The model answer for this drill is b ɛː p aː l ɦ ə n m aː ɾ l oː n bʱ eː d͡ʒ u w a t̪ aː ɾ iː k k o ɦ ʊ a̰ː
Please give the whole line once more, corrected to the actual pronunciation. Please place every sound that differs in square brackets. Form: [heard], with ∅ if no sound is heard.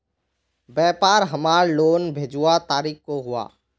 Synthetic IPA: b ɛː p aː [ɾ] ɦ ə [∅] m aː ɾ l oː n bʱ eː d͡ʒ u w a t̪ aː ɾ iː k k o ɦ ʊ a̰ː

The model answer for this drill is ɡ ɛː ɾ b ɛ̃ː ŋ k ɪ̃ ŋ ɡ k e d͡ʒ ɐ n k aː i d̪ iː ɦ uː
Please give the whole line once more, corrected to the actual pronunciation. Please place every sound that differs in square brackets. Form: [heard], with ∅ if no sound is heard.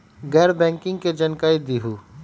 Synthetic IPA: ɡ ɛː ɾ b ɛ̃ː ŋ k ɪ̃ ŋ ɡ k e d͡ʒ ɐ n k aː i d̪ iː ɦ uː

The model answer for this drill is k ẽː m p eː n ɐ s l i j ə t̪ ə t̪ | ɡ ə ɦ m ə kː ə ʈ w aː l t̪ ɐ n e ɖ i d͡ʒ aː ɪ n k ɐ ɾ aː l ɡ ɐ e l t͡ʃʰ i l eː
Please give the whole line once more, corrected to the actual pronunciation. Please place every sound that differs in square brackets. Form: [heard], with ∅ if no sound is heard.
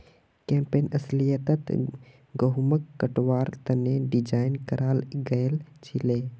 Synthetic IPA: k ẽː m p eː n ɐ s l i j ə t̪ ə t̪ | ɡ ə ɦ m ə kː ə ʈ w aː [ɾ] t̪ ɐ n e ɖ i d͡ʒ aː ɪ n k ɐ ɾ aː l ɡ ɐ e l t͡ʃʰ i l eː

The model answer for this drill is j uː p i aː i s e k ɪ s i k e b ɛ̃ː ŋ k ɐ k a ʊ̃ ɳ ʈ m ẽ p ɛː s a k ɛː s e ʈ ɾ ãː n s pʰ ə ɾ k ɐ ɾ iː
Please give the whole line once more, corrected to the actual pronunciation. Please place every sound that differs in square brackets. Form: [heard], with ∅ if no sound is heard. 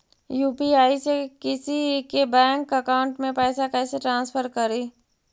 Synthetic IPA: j uː p i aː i s e k ɪ s i k e b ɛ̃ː ŋ k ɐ k a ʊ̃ ɳ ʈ m ẽ p ɛː s a k ɛː s e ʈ ɾ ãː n s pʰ ə ɾ k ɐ ɾ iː

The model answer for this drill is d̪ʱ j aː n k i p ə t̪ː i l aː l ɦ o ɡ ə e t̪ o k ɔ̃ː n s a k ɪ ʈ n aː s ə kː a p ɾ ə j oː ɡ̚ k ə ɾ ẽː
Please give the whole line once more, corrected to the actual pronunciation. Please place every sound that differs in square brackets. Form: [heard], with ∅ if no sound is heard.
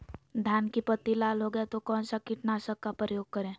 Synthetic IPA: d̪ʱ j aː n k i p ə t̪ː i l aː l ɦ o ɡ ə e t̪ o k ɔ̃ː n s a k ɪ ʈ n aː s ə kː a p ɾ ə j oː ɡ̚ k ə ɾ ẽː

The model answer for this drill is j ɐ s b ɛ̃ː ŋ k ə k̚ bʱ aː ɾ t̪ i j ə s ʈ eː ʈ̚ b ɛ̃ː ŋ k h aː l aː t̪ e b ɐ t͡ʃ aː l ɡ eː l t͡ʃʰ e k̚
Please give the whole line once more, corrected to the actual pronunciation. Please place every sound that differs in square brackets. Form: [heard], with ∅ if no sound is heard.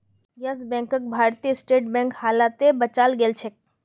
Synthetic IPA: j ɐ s b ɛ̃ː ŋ k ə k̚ bʱ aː ɾ t̪ i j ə s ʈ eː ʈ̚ b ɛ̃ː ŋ k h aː l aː t̪ e b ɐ t͡ʃ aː l ɡ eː l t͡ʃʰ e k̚

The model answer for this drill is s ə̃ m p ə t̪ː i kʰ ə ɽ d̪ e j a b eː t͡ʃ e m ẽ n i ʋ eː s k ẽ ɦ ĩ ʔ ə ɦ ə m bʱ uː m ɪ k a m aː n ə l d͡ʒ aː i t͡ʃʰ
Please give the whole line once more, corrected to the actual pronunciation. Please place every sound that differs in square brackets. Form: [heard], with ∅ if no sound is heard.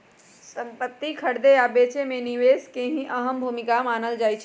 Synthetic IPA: s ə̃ m p ə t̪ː i kʰ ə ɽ d̪ e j a b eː t͡ʃ e m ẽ n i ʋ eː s k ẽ ɦ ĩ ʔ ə ɦ ə m bʱ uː m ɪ k a m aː n ə l d͡ʒ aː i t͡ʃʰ

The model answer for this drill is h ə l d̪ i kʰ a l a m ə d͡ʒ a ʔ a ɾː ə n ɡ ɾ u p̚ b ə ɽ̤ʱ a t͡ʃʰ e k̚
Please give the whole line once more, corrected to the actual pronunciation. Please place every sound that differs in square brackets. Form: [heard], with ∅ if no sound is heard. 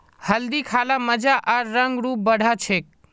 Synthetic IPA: h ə l d̪ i kʰ a l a m ə d͡ʒ a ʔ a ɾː ə [ŋ] ɡ ɾ u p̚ b ə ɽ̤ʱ a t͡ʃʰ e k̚

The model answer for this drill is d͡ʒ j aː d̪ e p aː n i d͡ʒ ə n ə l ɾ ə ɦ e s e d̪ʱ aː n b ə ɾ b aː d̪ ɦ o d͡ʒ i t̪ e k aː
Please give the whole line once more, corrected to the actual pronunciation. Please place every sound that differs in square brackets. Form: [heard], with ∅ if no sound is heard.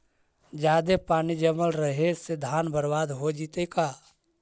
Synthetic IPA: d͡ʒ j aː d̪ e p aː n i d͡ʒ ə [m] ə l ɾ ə ɦ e s e d̪ʱ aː n b ə ɾ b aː d̪ ɦ o d͡ʒ i t̪ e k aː

